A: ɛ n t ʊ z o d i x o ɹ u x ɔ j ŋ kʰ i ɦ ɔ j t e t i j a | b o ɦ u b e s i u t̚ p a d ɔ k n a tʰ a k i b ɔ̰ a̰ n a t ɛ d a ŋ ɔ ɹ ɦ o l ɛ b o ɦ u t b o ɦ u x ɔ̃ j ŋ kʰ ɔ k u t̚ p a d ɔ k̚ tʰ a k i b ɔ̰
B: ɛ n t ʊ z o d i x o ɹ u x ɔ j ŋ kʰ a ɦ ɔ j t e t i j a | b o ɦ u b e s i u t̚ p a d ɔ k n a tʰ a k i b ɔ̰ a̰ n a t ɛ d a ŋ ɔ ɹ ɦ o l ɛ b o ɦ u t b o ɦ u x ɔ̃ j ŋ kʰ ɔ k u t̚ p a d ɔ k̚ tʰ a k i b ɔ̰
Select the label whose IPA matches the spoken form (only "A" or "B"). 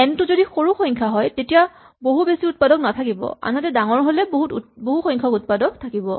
B